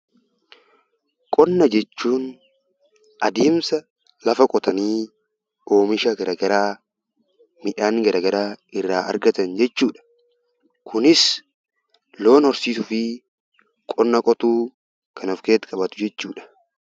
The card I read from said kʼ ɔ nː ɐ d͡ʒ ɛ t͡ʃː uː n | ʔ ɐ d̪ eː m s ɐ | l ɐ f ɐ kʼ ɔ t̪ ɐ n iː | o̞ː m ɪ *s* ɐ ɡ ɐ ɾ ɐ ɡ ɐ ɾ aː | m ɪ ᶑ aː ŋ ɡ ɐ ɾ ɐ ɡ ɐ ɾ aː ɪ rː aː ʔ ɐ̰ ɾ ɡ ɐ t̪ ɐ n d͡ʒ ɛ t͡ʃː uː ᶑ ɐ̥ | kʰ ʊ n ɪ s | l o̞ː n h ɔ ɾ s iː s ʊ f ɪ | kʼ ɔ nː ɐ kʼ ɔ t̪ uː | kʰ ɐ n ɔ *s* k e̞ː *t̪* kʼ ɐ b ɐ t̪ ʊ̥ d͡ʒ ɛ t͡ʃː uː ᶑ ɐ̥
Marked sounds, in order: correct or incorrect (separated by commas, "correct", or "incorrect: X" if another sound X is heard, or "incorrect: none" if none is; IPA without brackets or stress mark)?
incorrect: ʃ, incorrect: f, correct